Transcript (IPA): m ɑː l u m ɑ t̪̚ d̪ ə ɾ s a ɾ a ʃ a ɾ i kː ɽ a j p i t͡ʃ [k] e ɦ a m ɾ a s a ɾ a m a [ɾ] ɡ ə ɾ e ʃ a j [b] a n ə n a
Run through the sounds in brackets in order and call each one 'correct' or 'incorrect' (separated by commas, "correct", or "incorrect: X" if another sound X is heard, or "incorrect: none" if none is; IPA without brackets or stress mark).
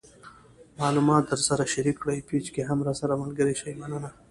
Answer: correct, incorrect: l, incorrect: m